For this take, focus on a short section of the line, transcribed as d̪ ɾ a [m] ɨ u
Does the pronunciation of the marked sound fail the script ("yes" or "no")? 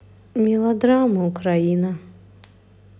no